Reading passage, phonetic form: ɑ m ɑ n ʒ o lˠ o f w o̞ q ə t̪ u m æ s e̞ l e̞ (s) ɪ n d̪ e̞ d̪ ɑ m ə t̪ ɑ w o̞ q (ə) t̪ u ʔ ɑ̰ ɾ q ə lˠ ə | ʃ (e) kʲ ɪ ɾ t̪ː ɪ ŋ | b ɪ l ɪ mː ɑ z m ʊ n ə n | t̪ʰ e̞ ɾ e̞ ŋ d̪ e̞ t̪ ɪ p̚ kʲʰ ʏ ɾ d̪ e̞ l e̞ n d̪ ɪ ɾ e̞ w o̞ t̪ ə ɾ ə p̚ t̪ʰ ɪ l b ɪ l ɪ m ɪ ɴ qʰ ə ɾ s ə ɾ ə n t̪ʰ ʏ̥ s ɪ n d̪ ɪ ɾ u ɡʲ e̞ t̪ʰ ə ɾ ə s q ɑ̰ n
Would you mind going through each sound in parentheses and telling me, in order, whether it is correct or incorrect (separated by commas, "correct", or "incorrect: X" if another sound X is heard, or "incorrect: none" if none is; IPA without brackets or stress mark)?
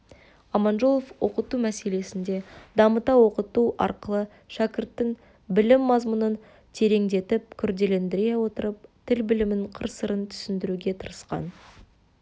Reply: correct, correct, incorrect: æ